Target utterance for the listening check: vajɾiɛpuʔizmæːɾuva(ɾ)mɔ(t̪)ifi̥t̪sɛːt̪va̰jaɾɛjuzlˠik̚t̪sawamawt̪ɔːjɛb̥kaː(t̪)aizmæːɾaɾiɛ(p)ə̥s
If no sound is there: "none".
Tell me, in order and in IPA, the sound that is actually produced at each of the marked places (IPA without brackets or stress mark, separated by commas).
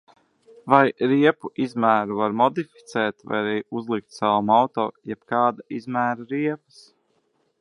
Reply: ɾ, d̪, d̪, p